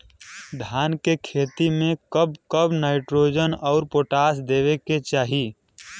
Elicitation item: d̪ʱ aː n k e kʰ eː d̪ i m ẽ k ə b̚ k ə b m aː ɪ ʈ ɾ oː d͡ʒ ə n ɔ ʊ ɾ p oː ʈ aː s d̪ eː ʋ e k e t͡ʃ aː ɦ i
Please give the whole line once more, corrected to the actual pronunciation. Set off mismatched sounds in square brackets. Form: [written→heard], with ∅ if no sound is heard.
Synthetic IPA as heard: d̪ʱ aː n k e kʰ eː [d̪→t̪] i m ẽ k ə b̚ k ə b [m→n] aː ɪ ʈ ɾ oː d͡ʒ ə n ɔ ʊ ɾ p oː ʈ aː s d̪ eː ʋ e k e t͡ʃ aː ɦ i